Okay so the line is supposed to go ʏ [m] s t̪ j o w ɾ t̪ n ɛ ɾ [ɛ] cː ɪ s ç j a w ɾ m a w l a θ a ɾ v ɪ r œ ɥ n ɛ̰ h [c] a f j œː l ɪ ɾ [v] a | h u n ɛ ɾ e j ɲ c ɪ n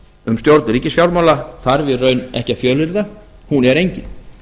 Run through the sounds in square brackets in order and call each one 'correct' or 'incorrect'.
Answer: correct, incorrect: i, correct, incorrect: ð

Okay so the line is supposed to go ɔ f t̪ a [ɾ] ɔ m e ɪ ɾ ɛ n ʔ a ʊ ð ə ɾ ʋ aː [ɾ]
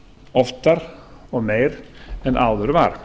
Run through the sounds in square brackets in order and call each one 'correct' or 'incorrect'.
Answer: correct, correct

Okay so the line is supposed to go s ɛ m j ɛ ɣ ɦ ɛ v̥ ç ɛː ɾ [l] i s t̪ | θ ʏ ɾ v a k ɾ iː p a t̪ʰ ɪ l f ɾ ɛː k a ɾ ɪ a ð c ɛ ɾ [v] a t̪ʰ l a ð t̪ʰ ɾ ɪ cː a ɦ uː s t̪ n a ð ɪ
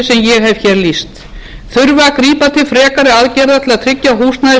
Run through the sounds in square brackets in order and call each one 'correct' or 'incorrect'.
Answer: correct, incorrect: ð

